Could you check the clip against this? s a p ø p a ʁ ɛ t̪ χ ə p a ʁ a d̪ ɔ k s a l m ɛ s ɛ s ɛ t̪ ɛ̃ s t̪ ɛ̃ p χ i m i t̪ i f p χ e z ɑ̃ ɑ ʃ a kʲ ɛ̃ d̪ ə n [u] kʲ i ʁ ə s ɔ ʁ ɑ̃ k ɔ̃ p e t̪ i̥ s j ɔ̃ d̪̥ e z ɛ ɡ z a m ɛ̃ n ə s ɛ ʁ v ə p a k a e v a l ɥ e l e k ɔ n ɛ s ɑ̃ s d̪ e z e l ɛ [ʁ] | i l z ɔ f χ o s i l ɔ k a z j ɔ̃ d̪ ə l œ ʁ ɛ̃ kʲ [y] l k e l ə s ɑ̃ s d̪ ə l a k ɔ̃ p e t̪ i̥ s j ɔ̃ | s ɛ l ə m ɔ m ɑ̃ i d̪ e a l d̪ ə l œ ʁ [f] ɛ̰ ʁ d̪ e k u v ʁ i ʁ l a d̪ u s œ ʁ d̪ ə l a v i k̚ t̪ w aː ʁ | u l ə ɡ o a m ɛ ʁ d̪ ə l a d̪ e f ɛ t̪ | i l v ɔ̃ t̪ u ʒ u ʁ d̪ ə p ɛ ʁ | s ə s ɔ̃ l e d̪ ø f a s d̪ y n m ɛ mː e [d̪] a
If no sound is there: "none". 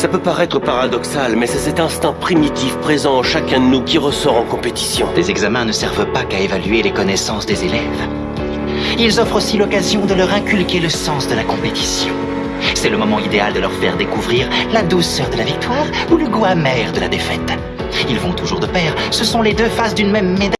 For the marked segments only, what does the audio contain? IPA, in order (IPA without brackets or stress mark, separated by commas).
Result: u, v, y, f, d̪